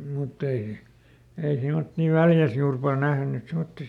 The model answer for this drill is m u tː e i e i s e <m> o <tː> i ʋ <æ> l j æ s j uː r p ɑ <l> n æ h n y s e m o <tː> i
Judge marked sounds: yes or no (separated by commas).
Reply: yes, yes, yes, yes, yes